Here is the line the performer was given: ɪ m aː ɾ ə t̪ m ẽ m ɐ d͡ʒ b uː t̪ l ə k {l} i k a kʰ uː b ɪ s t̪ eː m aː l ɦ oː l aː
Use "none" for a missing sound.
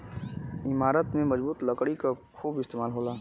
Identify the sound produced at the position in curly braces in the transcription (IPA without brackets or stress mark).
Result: ɽ